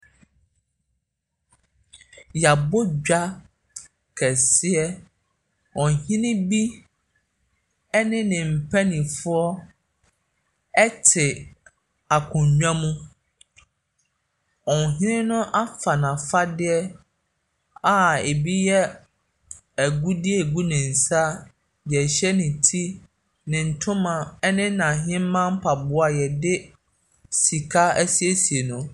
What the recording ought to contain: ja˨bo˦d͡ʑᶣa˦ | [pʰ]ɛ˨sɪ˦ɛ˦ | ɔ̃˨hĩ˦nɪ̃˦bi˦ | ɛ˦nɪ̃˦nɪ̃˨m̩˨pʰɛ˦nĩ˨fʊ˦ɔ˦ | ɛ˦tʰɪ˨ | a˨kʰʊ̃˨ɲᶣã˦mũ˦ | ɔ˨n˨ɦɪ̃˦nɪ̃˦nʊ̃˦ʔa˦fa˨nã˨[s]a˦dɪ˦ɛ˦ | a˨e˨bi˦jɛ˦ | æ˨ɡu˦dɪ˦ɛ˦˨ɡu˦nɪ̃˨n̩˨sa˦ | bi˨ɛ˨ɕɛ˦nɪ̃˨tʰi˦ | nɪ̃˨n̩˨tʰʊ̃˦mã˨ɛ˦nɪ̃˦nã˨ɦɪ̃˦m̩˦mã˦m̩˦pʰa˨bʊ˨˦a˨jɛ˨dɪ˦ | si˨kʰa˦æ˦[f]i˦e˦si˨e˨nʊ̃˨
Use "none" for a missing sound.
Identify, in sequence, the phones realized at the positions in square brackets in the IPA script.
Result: kʰ, f, s

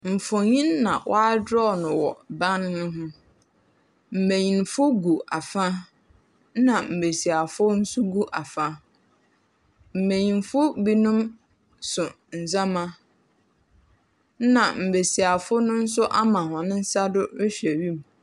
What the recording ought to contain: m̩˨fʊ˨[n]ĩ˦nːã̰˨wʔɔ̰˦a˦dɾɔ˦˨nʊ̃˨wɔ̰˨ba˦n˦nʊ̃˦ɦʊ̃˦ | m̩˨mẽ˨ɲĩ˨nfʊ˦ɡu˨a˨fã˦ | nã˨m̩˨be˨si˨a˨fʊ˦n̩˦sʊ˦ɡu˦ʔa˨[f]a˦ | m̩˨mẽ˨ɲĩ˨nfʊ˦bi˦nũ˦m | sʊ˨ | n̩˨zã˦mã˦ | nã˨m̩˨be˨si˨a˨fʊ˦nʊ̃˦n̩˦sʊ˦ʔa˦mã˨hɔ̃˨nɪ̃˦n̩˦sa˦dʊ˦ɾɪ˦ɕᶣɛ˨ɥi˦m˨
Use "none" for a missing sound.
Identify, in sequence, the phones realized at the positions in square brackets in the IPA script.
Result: ɲ, f

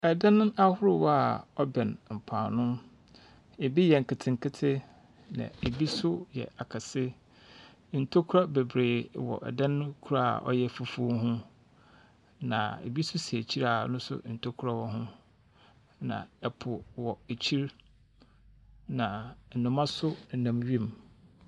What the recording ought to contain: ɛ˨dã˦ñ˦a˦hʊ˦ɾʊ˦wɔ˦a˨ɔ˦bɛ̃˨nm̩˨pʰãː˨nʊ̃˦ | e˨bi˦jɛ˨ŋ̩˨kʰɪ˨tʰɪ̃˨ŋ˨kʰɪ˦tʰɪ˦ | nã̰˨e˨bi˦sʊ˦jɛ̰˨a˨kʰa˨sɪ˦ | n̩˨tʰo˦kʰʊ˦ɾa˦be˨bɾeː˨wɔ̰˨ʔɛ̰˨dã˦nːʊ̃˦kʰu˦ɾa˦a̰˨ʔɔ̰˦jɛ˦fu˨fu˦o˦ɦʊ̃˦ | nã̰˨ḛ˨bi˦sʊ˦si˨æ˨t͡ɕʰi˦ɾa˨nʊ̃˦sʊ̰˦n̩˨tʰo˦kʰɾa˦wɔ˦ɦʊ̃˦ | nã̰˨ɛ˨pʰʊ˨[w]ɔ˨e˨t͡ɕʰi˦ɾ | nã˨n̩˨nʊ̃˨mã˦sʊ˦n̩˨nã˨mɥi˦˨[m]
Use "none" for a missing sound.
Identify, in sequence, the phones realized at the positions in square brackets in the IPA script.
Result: w, m

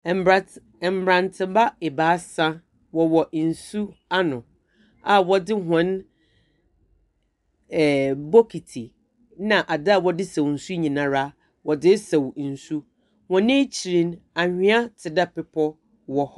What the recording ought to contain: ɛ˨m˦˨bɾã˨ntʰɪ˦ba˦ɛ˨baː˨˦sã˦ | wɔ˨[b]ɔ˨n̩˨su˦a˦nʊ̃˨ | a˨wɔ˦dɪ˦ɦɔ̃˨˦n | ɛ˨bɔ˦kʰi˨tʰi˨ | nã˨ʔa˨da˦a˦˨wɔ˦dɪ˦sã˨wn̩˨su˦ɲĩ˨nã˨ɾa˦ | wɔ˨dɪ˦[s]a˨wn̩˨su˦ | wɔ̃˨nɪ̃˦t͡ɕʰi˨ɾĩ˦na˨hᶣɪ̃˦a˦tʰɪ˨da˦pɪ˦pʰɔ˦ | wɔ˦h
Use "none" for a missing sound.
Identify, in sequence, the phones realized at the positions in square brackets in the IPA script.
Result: w, s

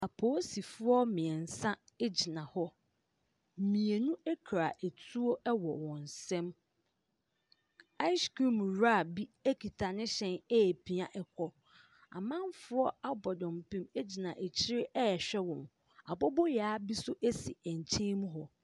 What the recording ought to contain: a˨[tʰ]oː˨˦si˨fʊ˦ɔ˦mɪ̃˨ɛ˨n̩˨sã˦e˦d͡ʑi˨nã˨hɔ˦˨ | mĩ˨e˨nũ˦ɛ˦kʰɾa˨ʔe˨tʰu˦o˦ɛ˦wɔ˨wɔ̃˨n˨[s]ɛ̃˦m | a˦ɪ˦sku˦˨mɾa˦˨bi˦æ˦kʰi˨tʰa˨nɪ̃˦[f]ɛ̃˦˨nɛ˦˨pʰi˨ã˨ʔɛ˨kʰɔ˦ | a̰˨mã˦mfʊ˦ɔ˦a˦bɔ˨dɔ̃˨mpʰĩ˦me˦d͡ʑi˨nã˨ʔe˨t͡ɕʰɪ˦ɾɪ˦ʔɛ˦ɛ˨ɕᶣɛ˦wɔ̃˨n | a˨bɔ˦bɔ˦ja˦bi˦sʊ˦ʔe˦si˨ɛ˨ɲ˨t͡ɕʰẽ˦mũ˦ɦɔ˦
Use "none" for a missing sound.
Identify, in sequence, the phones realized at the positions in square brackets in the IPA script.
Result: pʰ, s, ɕ

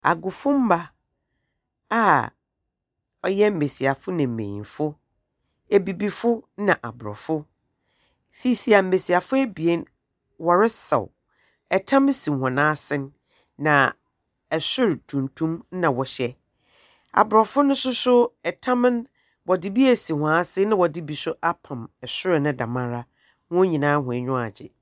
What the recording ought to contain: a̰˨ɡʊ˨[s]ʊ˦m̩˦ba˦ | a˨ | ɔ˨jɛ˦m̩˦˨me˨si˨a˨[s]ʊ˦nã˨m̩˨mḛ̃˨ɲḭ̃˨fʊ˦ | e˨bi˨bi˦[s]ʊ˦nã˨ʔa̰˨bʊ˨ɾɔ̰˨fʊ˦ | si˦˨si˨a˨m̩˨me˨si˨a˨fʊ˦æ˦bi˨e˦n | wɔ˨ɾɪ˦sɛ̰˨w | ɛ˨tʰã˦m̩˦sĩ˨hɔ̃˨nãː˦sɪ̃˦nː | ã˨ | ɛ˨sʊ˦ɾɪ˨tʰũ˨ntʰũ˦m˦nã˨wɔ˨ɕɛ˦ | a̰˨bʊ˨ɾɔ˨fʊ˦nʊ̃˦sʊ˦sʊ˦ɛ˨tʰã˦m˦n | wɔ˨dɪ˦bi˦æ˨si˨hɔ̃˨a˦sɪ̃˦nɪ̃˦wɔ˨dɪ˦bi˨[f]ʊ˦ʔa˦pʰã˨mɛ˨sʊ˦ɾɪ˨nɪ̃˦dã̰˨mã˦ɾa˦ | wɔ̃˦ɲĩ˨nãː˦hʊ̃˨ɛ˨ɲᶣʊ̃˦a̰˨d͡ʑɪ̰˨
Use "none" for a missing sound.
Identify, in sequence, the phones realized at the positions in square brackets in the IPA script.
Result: f, f, f, s

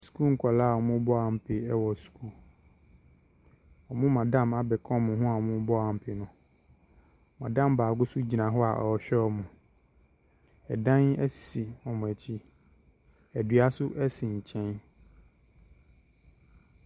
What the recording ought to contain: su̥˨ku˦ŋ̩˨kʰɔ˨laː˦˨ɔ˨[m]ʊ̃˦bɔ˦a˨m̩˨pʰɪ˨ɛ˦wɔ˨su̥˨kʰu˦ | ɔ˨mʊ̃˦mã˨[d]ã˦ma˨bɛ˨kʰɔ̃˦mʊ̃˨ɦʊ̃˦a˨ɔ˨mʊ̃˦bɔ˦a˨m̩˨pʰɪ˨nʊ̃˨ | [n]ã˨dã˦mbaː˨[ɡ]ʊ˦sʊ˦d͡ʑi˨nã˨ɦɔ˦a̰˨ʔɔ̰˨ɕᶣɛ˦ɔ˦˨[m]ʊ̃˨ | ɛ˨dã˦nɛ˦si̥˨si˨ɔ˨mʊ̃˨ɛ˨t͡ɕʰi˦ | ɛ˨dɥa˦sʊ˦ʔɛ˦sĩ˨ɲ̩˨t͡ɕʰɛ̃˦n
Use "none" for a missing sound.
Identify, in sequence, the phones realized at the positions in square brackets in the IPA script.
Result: m, d, m, ɡ, m

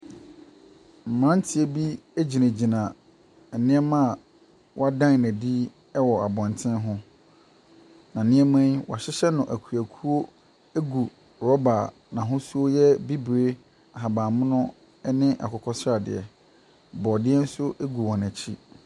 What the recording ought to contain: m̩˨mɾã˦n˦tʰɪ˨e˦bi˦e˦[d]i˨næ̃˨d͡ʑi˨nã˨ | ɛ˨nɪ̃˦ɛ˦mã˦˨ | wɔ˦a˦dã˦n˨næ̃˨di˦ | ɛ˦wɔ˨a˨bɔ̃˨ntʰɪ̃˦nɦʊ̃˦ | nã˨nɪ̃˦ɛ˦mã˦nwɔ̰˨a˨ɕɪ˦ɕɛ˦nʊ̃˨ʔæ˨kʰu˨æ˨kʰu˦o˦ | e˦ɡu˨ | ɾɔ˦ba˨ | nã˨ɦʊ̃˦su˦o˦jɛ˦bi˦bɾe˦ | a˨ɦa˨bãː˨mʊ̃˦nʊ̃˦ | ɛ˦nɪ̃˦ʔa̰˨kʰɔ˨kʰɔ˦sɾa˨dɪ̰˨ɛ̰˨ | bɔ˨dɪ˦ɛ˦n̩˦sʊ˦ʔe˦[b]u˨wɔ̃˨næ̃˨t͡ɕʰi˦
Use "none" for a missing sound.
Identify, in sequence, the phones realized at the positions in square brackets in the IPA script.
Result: d͡ʑ, ɡ

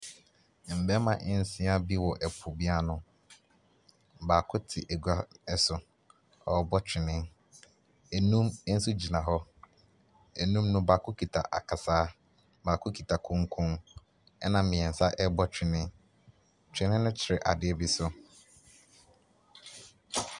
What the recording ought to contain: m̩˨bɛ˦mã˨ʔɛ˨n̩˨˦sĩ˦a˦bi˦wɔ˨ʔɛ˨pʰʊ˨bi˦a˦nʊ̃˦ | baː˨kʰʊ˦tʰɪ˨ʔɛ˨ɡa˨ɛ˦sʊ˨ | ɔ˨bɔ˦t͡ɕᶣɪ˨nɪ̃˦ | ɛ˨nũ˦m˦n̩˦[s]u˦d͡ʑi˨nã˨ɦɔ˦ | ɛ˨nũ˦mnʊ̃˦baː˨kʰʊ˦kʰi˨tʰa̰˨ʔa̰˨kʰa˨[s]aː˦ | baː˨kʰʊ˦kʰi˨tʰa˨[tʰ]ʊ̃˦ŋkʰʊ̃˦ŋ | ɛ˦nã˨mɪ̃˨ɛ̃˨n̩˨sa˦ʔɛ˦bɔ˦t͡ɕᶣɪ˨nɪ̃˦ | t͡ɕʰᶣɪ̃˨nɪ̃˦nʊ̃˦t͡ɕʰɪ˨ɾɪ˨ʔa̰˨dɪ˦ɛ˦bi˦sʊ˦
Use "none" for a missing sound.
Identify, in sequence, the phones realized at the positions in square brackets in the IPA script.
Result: s, s, kʰ

